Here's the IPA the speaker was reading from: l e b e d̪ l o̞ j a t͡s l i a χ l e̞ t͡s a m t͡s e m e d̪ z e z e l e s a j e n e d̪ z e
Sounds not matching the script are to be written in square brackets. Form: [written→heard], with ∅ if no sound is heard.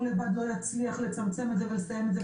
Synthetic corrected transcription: l e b [e→a] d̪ l o̞ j a t͡s l i a χ l e̞ t͡s a m t͡s e m e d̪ z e [z→v] e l e s a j e [n→m] e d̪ z e